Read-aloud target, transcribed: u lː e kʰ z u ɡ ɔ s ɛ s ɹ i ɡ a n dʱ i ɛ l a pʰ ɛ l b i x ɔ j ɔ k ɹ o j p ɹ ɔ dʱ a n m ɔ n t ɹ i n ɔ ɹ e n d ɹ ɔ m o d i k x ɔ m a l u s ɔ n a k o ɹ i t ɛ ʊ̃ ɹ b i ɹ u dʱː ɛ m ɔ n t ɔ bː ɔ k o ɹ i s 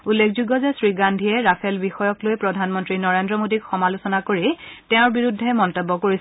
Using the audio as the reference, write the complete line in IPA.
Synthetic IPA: u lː e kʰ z u ɡ ɔ z ɛ s ɹ i ɡ a n dʱ i ɛ ɹ a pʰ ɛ l b i x ɔ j ɔ k l o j p ɹ ɔ dʱ a n m ɔ n t ɹ i n ɔ ɹ e n d ɹ ɔ m o d i k x ɔ m a l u s ɔ n a k o ɹ i t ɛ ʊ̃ ɹ b i ɹ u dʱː ɛ m ɔ n t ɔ bː ɔ k o ɹ i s